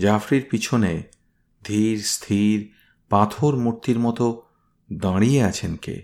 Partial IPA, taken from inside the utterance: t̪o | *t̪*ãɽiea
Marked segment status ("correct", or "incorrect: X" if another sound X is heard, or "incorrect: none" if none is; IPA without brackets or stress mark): incorrect: d̪